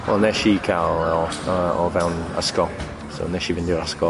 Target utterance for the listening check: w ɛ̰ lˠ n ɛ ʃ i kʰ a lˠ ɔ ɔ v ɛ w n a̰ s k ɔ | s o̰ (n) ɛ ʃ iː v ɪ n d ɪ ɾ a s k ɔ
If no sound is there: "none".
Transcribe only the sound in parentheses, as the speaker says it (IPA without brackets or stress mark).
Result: n